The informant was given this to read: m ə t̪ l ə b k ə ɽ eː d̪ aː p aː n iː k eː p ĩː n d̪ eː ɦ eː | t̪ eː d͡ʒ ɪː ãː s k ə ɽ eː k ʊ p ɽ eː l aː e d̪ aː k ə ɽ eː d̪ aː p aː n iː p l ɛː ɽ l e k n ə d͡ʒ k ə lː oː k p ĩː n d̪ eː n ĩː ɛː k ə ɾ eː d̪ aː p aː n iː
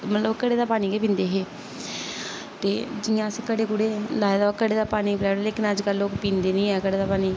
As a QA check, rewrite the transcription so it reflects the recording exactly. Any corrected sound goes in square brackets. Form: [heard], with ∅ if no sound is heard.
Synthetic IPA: m ə t̪ l ə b k ə ɽ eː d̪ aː p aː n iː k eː p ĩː n d̪ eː ɦ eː | t̪ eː d͡ʒ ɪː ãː s k ə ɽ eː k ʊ [∅] ɽ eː l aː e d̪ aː k ə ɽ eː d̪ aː p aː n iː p l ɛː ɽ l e k n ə d͡ʒ k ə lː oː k p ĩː n d̪ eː n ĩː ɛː k ə [ɽ] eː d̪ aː p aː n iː